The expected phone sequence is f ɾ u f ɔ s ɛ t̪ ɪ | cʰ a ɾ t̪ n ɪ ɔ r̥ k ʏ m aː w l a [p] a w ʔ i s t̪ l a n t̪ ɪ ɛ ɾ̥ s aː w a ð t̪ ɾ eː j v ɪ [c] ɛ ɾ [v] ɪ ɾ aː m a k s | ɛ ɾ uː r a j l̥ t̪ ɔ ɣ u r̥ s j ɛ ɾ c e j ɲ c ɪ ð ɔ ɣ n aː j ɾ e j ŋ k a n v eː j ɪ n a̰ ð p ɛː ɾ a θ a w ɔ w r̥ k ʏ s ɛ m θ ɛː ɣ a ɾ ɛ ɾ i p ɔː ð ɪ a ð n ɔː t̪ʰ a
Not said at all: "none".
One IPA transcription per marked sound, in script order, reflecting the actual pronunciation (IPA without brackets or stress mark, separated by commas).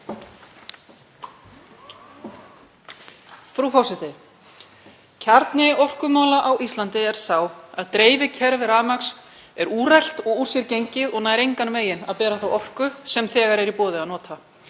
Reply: ʔ, cʰ, v